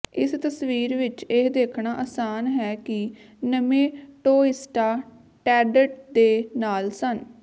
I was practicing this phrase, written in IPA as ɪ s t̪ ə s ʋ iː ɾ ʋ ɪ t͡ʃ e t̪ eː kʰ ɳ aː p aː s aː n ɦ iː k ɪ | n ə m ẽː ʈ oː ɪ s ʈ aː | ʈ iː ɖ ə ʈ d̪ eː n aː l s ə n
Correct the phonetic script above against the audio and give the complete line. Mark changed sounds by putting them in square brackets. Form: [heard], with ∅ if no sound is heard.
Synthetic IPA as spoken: ɪ s t̪ ə s ʋ iː ɾ ʋ ɪ t͡ʃ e [d̪] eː kʰ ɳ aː [ʔ] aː s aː n ɦ [ɛː] k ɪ | n ə m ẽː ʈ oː ɪ s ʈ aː | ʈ [ɛː] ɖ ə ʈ d̪ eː n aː l s ə n